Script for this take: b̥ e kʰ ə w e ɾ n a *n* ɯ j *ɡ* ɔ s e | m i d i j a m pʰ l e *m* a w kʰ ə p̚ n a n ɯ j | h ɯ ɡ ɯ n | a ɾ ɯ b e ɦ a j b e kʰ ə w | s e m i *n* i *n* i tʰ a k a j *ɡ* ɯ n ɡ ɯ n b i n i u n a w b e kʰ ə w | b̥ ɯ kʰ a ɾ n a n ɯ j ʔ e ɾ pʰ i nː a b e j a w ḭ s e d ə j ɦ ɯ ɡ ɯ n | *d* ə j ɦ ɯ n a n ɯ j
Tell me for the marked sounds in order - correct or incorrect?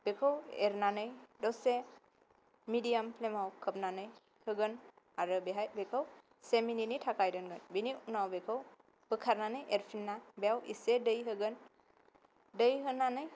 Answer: correct, incorrect: d, correct, correct, correct, incorrect: d, correct

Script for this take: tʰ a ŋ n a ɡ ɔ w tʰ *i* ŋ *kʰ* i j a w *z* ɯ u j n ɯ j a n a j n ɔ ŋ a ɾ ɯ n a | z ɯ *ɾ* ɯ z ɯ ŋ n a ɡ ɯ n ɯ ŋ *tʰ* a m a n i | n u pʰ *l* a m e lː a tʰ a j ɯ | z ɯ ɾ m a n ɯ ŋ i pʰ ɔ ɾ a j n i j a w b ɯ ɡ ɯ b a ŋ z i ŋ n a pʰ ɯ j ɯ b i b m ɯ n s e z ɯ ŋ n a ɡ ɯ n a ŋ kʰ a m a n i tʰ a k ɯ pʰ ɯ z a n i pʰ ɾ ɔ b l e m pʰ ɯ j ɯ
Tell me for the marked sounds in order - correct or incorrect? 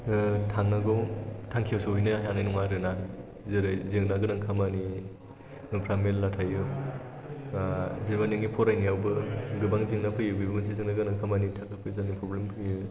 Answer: incorrect: a, correct, incorrect: s, correct, incorrect: kʰ, incorrect: ɾ

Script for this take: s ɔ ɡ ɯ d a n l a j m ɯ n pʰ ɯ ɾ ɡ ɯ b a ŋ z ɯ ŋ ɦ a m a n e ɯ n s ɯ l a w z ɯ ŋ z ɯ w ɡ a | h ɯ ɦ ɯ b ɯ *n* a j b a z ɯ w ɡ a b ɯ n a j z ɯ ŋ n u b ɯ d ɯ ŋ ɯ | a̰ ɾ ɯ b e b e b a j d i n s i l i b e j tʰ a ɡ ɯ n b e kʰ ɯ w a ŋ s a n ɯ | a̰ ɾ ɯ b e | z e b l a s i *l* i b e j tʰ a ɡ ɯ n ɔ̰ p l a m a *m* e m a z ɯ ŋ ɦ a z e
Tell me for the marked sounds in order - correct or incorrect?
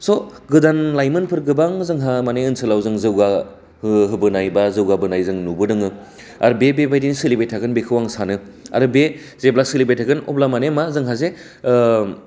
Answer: correct, correct, incorrect: n

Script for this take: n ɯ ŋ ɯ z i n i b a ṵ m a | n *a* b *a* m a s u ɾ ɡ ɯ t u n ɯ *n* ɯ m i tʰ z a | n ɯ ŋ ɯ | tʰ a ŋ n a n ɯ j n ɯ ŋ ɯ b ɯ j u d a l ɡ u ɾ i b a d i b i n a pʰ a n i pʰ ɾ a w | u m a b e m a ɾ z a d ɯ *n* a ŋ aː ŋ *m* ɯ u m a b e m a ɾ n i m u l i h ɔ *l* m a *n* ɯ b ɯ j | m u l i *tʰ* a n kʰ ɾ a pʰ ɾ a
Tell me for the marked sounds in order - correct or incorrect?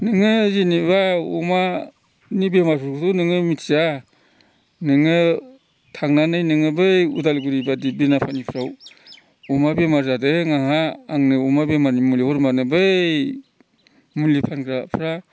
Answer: incorrect: i, incorrect: e, incorrect: ŋ, incorrect: ŋ, incorrect: n, incorrect: ɾ, correct, incorrect: pʰ

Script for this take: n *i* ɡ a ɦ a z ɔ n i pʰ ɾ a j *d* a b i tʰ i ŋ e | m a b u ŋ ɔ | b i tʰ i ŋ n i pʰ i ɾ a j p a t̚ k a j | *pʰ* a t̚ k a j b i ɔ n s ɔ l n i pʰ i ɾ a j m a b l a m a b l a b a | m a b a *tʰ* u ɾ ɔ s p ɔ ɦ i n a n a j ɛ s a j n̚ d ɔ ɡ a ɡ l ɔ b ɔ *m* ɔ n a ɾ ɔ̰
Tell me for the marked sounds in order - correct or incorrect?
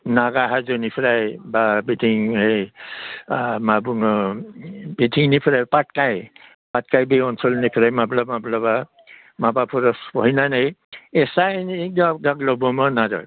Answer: incorrect: a, incorrect: b, incorrect: p, incorrect: pʰ, correct

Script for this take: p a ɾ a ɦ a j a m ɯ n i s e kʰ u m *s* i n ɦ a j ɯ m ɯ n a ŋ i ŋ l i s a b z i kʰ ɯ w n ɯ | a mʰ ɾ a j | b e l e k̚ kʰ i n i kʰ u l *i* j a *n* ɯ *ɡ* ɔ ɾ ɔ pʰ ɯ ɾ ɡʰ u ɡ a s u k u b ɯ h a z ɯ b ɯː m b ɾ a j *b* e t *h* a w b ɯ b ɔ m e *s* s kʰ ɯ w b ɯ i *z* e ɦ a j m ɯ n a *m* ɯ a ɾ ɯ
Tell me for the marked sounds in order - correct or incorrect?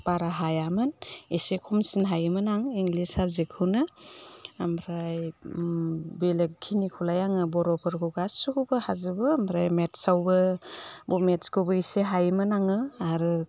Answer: correct, incorrect: a, incorrect: ŋ, incorrect: b, incorrect: m, incorrect: s, incorrect: t, incorrect: s, incorrect: ŋ

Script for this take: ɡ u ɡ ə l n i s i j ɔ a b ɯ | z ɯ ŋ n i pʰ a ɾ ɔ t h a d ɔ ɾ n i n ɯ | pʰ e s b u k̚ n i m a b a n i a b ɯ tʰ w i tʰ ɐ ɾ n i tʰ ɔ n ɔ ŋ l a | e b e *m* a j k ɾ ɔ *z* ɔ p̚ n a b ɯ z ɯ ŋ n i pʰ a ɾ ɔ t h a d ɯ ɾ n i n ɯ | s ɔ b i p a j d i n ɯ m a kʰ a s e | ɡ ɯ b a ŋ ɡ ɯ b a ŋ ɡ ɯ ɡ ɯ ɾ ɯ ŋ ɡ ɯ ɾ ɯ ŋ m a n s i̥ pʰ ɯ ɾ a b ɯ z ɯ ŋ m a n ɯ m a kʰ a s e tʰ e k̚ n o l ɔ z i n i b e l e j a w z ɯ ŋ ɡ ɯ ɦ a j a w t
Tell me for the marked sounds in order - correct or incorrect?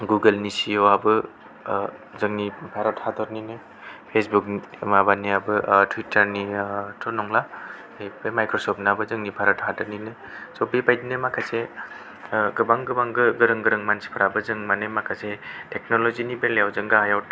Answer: correct, incorrect: s

